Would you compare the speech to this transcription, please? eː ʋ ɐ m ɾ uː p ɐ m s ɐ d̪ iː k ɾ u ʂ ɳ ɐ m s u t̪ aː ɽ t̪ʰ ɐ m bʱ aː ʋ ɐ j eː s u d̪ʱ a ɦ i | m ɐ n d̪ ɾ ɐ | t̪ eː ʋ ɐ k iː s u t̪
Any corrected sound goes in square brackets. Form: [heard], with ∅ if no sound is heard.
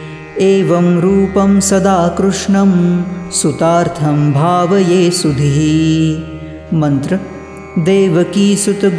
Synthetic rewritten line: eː ʋ ɐ m ɾ uː p ɐ m s ɐ d̪ [aː] k ɾ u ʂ ɳ ɐ m s u t̪ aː [ɾ] t̪ʰ ɐ m bʱ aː ʋ ɐ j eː s u d̪ʱ [i] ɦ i | m ɐ n [t̪] ɾ ɐ | [d̪] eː ʋ ɐ k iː s u t̪